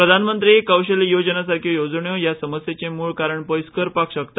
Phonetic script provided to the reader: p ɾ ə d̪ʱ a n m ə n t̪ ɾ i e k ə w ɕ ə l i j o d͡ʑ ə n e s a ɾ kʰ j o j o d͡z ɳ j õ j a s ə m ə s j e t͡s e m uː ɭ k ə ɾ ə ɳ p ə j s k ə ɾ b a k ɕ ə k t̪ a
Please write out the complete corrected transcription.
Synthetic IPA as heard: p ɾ ə d̪ʱ a n m ə n t̪ ɾ i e k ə w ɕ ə l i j o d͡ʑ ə n a s a ɾ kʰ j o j o d͡z ɳ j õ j a s ə m ə s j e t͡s e m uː ɭ k a ɾ ə ɳ p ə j s k ə ɾ p a k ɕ ə k t̪ a